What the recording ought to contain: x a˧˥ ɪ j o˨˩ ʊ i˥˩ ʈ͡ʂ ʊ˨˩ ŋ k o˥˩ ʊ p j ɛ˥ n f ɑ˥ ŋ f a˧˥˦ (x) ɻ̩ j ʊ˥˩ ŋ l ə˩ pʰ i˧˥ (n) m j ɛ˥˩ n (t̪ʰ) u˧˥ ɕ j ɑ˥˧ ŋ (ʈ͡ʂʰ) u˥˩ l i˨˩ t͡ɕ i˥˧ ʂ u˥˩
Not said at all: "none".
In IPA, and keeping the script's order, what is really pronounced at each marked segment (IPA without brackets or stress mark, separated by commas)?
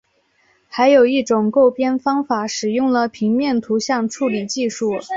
ʂ, ŋ, t̪ʰ, ʈ͡ʂʰ